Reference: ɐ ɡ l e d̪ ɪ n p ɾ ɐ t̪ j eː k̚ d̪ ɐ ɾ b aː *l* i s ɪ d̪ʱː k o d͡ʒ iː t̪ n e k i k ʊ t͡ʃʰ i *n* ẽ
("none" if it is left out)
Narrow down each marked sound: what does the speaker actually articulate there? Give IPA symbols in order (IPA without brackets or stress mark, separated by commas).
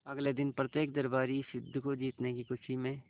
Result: ɾ, m